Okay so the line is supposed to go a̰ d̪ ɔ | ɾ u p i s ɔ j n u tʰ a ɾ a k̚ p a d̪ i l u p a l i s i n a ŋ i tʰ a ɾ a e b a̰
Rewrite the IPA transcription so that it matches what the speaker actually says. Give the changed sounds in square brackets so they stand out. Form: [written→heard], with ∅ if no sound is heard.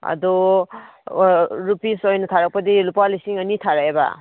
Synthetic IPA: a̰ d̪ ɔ | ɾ u p i s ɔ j n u tʰ a ɾ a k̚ p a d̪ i l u p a l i s i [n→ŋ] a [ŋ→n] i tʰ a ɾ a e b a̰